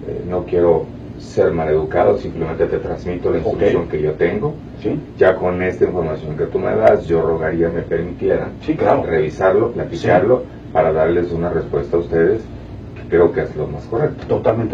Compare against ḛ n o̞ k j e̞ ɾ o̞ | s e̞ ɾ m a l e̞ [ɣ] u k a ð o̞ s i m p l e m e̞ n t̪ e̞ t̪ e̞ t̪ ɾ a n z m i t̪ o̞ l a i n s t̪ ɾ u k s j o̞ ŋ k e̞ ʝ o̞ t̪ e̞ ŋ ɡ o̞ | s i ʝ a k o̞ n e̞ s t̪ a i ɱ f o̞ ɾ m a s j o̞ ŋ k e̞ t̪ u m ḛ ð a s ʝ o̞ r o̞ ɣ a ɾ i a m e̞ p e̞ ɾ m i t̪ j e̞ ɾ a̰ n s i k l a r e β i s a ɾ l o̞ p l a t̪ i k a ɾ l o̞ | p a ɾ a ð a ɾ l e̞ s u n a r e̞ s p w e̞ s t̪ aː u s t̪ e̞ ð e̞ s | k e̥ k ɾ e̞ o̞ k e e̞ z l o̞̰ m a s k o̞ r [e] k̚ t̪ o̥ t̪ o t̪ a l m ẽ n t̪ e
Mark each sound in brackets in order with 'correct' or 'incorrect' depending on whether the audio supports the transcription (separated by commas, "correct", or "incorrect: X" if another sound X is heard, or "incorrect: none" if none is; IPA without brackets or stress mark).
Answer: incorrect: ð, correct